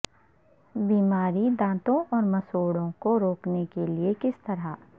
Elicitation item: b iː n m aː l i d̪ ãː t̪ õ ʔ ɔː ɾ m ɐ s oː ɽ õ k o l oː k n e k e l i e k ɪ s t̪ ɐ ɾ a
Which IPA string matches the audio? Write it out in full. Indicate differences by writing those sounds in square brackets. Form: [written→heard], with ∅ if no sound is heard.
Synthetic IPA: b iː [n→∅] m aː [l→ɾ] i d̪ ãː t̪ õ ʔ ɔː ɾ m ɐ s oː ɽ õ k o [l→ɾ] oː k n e k e l i e k ɪ s t̪ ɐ ɾ a